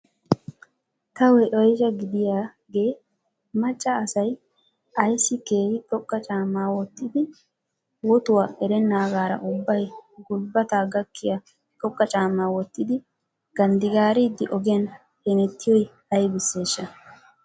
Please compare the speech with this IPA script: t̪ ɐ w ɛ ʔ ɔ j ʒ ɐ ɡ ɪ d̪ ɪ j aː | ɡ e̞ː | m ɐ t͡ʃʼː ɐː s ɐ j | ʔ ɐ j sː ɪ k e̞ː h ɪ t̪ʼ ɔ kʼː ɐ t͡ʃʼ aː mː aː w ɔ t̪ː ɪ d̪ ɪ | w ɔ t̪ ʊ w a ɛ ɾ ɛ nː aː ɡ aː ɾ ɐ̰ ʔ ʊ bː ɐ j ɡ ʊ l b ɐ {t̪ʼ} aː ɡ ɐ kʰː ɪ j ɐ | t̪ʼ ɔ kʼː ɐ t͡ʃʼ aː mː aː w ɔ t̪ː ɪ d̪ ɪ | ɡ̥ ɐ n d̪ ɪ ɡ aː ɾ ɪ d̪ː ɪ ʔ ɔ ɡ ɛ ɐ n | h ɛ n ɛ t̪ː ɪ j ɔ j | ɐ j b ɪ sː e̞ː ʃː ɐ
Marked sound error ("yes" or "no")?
yes